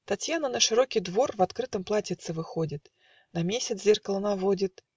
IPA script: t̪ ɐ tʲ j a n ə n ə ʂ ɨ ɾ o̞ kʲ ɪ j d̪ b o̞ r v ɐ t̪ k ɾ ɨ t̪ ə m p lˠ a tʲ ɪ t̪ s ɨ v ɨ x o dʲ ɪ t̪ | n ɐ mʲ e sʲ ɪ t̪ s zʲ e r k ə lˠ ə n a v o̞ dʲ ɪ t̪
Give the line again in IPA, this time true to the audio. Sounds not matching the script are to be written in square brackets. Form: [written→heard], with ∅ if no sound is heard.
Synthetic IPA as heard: t̪ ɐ tʲ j a n ə n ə ʂ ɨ ɾ o̞ kʲ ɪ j d̪ [b→v] o̞ r v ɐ t̪ k ɾ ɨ t̪ ə m p lˠ a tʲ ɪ t̪ s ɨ v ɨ x o dʲ ɪ t̪ | n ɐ mʲ e sʲ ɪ t̪ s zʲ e r k ə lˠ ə n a v o̞ dʲ ɪ t̪